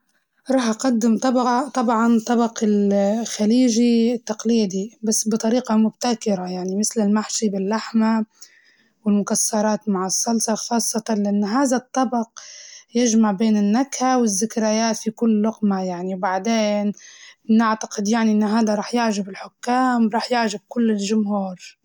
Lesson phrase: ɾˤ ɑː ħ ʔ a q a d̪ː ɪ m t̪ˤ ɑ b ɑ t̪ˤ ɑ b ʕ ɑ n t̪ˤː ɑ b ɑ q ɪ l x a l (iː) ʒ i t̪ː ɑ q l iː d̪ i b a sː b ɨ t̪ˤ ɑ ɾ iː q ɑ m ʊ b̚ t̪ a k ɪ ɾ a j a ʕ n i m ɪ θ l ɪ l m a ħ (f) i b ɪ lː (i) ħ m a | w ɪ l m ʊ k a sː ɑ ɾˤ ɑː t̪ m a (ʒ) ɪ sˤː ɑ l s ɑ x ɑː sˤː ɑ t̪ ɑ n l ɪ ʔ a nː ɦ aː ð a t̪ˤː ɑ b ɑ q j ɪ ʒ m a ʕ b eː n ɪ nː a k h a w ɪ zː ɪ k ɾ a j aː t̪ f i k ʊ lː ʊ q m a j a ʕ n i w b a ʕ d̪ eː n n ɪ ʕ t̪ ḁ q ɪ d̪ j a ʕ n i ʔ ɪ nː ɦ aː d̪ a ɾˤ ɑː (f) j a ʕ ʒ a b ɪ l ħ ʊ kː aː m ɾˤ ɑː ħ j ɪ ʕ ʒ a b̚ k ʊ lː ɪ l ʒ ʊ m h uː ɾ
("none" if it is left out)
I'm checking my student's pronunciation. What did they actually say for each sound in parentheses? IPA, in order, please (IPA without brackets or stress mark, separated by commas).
iː, ʃ, a, ʕ, ħ